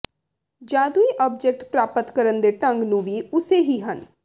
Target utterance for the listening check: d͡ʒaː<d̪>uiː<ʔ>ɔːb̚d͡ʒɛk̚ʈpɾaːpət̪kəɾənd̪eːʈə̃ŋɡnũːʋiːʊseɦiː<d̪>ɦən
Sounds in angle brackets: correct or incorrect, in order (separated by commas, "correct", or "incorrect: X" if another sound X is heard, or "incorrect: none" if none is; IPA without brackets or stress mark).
correct, correct, incorrect: none